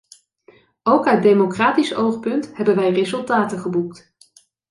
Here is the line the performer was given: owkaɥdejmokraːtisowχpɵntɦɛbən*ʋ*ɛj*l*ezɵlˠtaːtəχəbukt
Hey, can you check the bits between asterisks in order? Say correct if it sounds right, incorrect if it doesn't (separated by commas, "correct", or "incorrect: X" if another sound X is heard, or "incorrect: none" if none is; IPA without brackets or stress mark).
correct, incorrect: r